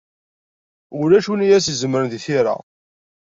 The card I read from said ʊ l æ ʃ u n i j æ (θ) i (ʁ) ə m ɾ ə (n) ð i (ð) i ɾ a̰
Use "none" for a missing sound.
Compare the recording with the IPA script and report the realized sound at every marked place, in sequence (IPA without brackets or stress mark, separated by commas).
s, z, n, θ